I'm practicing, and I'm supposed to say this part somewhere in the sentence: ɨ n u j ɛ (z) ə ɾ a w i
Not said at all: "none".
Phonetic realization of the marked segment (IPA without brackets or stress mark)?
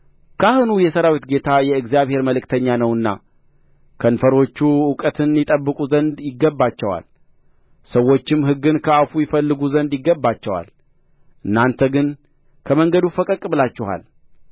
s